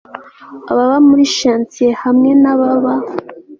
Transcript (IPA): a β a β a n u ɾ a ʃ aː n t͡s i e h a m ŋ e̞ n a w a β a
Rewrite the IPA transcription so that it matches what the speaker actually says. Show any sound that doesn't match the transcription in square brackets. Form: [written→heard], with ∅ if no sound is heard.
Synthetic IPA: a β a β a [n→m] u ɾ [a→i] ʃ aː n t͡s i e h a m ŋ e̞ n a [w→β] a β a